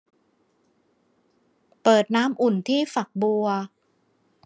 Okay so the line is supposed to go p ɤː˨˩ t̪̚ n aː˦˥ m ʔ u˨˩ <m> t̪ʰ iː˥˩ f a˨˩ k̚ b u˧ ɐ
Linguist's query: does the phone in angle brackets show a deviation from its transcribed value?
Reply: yes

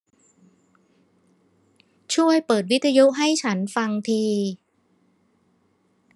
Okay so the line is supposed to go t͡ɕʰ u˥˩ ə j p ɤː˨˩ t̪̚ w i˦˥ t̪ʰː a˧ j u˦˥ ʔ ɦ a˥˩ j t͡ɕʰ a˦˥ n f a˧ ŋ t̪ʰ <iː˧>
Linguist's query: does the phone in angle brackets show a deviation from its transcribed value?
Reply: no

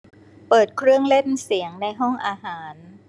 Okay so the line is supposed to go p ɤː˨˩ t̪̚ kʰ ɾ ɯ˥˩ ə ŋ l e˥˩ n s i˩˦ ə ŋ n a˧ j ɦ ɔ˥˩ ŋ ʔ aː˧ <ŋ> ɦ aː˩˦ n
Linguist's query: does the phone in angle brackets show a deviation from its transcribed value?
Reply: yes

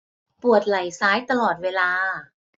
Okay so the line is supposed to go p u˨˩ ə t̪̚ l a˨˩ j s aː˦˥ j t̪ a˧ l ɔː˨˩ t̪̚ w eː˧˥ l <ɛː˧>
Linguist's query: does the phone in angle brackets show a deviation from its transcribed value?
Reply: yes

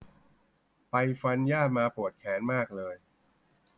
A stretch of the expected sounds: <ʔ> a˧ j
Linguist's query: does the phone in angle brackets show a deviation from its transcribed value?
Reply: yes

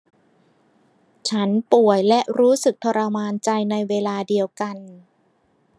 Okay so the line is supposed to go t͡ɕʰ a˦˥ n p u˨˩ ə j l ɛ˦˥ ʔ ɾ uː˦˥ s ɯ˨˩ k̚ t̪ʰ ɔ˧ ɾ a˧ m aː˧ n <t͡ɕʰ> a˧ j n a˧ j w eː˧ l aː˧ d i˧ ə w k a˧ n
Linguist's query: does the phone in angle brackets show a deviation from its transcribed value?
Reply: yes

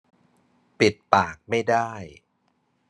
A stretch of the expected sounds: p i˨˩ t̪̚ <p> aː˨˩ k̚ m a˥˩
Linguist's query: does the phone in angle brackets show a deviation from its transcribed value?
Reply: no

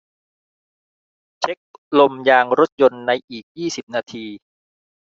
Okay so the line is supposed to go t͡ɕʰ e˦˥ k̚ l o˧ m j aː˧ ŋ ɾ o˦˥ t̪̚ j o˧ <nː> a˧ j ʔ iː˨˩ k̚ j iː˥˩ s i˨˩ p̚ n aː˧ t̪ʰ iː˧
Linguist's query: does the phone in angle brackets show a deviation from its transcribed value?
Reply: no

